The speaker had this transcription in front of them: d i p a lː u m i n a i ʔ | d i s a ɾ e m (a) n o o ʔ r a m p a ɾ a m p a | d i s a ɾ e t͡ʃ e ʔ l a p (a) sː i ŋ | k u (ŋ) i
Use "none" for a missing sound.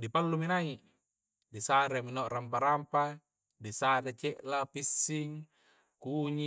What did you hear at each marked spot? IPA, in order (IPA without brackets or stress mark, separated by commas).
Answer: i, i, ɲ